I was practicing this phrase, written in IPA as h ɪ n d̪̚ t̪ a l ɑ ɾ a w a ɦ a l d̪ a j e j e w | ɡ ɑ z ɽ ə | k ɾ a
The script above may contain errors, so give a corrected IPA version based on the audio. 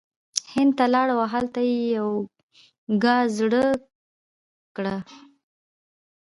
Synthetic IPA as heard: h ɪ n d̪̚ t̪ a l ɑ ɽ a w a ɦ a l t̪ a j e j a w | ɡ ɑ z ɽ ə | k ɽ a